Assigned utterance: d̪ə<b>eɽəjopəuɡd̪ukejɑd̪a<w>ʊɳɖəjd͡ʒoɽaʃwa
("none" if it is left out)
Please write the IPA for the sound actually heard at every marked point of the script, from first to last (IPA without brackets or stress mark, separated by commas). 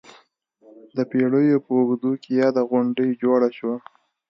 p, ɣ